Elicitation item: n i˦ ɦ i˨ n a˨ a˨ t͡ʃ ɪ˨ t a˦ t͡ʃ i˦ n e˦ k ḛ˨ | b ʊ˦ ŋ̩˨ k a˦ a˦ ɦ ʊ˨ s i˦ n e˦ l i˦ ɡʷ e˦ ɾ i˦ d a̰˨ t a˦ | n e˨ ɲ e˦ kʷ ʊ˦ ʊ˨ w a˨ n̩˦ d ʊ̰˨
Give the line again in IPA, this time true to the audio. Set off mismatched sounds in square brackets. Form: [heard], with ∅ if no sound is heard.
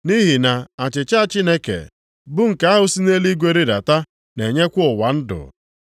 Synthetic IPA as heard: n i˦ ɦ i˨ n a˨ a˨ t͡ʃ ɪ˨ [t͡ʃ] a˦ t͡ʃ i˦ n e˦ k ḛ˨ | b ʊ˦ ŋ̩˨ k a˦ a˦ ɦ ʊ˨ s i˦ n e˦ l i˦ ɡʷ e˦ ɾ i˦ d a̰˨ t a˦ | n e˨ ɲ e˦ kʷ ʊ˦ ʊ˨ w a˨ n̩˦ d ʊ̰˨

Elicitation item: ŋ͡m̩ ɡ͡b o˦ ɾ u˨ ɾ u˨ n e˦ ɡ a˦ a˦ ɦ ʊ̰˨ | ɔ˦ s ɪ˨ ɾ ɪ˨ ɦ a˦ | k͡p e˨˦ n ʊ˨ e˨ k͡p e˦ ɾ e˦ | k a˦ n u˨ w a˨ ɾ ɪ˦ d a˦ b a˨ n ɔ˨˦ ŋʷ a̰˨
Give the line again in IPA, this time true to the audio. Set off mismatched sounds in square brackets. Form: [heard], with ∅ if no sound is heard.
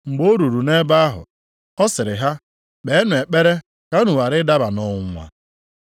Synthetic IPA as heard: ŋ͡m̩ ɡ͡b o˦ ɾ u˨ ɾ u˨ n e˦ [b] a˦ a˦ ɦ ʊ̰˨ | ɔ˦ s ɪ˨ ɾ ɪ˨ ɦ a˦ | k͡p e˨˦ n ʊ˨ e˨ k͡p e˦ ɾ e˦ | k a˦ n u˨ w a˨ ɾ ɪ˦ d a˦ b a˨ n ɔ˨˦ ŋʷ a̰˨

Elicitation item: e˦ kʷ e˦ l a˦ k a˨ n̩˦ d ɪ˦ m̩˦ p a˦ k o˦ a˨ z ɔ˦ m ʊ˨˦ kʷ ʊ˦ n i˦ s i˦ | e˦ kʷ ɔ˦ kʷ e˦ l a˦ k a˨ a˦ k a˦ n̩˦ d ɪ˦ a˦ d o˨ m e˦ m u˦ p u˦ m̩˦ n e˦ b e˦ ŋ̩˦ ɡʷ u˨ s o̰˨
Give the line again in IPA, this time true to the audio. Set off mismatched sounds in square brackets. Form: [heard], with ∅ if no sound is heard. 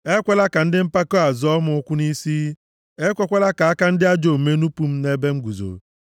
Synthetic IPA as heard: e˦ kʷ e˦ l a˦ k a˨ n̩˦ d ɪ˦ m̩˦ p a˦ k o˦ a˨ z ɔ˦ m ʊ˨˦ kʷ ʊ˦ n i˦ s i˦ | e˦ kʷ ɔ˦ kʷ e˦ l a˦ k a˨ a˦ k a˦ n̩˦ d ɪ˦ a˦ [d͡ʒ] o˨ m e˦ [n] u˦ p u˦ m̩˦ n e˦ b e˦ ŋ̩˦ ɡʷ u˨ [z] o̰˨

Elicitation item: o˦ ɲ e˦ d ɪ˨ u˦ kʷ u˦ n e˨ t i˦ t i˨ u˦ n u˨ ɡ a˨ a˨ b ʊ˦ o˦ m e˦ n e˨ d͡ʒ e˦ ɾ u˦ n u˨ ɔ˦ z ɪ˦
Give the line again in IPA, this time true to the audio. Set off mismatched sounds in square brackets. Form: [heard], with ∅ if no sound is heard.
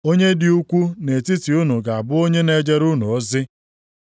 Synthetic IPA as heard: o˦ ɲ e˦ d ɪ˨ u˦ kʷ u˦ n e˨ t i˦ t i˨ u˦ n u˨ ɡ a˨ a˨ b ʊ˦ o˦ [ɲ] e˦ n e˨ d͡ʒ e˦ ɾ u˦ n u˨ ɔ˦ z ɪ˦

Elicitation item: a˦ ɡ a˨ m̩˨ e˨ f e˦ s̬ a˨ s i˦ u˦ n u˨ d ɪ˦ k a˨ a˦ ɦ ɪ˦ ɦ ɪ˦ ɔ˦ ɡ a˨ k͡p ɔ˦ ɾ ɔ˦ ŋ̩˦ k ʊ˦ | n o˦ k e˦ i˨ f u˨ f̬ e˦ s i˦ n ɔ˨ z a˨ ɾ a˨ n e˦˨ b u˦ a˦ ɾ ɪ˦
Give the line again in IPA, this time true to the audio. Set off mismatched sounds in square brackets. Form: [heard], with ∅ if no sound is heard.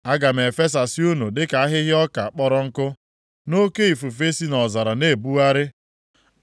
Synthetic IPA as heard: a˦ ɡ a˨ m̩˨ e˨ f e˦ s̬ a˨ s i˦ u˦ n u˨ d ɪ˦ k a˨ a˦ ɦ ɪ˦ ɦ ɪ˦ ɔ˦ [k] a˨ k͡p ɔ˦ ɾ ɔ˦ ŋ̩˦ k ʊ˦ | n o˦ k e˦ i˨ f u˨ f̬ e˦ s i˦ n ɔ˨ z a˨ ɾ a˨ n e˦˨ b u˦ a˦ ɾ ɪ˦

